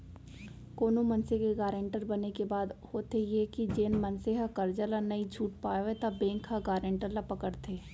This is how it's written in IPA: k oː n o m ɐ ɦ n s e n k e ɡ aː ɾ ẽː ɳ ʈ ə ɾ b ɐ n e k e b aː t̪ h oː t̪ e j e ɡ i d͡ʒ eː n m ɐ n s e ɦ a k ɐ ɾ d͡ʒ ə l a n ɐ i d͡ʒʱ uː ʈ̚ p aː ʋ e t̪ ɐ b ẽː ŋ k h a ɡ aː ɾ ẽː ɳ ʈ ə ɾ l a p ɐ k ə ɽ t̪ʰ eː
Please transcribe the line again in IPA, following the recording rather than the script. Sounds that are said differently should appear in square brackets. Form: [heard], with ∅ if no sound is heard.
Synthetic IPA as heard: k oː n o m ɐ [∅] n s e [∅] k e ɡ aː ɾ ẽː ɳ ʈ ə ɾ b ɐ n e k e b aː [d̪] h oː t̪ e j e [k] i d͡ʒ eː n m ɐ n s e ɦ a k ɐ ɾ d͡ʒ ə l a n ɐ i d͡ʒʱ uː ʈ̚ p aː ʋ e t̪ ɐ b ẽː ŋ k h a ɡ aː ɾ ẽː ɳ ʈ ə ɾ l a p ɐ k ə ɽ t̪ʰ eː